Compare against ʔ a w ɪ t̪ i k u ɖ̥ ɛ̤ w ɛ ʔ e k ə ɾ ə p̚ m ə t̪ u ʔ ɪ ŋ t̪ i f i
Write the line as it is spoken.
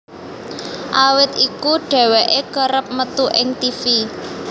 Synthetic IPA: ʔ a w ɪ t̪ i k u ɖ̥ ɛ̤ w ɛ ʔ e k ə ɾ ə p̚ m ə t̪ u ʔ ɪ ŋ t̪ i f i